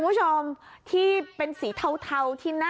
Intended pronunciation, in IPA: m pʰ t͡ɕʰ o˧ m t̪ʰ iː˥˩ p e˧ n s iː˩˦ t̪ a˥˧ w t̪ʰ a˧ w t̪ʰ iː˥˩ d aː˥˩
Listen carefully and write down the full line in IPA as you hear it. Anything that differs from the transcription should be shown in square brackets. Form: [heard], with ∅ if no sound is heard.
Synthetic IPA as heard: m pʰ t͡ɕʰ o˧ m t̪ʰ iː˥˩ p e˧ n s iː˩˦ [t̪ʰ] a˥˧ w t̪ʰ a˧ w t̪ʰ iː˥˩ [n] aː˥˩